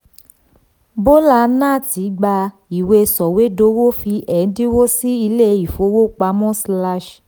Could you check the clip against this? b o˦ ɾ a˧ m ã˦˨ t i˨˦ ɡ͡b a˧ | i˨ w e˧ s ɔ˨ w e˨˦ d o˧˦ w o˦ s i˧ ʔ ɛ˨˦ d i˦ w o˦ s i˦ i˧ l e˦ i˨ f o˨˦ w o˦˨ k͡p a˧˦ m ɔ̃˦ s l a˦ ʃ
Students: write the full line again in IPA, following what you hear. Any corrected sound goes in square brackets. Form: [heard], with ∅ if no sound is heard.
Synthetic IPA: b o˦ [l] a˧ [n] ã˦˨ t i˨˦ ɡ͡b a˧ | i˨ w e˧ s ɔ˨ w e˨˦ d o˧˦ w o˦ [f] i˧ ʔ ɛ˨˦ d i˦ w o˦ s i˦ i˧ l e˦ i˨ f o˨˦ w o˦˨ k͡p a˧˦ m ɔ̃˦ s l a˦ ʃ